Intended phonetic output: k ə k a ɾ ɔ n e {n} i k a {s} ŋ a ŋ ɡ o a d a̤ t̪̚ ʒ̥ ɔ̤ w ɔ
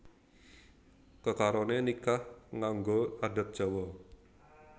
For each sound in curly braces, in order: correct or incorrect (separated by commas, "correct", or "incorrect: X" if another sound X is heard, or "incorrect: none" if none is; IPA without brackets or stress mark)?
correct, incorrect: h